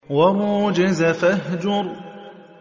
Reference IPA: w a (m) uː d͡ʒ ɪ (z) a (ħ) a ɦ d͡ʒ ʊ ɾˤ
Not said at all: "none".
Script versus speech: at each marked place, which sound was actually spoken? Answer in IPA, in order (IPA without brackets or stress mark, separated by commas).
m, z, f